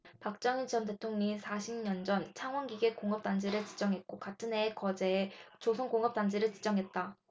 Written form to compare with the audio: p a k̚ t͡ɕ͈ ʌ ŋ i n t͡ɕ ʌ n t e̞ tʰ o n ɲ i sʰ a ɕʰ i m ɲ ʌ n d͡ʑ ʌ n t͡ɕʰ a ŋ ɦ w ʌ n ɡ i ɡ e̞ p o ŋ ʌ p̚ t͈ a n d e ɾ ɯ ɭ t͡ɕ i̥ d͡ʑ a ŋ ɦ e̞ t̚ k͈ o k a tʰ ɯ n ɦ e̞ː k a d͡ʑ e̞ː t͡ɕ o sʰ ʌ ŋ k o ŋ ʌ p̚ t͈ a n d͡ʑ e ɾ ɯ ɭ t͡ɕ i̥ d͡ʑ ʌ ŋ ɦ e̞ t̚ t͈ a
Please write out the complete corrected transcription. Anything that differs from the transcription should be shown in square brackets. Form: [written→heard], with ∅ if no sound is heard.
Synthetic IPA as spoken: p a k̚ t͡ɕ͈ ʌ ŋ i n t͡ɕ ʌ n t e̞ tʰ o [n→ŋ] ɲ i sʰ a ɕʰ i m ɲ ʌ n d͡ʑ ʌ n t͡ɕʰ a ŋ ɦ w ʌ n ɡ i ɡ e̞ [p→k] o ŋ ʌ p̚ t͈ a n [d→d͡ʑ] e ɾ ɯ ɭ t͡ɕ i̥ d͡ʑ [a→ʌ] ŋ ɦ e̞ t̚ k͈ o k a tʰ ɯ n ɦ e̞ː k [a→ʌ] d͡ʑ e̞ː t͡ɕ o sʰ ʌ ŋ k o ŋ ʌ p̚ t͈ a n d͡ʑ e ɾ ɯ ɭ t͡ɕ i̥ d͡ʑ ʌ ŋ ɦ e̞ t̚ t͈ a